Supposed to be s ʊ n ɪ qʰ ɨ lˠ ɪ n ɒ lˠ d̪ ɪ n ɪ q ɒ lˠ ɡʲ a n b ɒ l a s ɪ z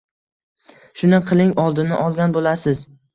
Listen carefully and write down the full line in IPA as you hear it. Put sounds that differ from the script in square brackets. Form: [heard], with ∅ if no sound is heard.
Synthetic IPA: [ʃ] ʊ n ɪ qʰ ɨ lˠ ɪ [ŋ] ɒ lˠ d̪ ɪ n ɪ [ʔ] ɒ lˠ ɡʲ a n b [o] l a s ɪ z